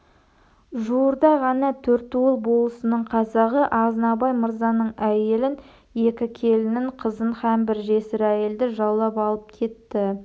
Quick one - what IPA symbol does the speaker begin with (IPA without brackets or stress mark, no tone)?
ʒ